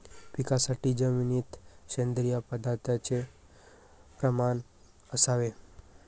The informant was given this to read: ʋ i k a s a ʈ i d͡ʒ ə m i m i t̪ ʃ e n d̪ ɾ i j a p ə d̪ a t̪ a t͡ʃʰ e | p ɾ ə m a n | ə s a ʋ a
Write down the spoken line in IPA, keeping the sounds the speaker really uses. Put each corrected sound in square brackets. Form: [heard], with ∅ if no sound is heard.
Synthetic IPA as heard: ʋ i k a s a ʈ i d͡ʒ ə m i [n] i t̪ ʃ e n d̪ ɾ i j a p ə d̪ a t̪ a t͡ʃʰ e | p ɾ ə m a n | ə s a ʋ [e]